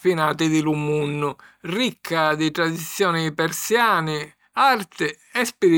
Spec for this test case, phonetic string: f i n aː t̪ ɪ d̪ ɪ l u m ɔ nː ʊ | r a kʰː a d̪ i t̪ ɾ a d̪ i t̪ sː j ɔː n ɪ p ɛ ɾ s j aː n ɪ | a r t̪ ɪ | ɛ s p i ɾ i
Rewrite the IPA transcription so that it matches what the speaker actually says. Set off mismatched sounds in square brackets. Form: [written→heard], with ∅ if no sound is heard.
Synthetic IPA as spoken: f i n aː t̪ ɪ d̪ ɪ l u m [ɔ→u] nː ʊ | r [a→i] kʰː a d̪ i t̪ ɾ a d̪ i t̪ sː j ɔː n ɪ p ɛ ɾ s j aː n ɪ | a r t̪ ɪ | ɛ s p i ɾ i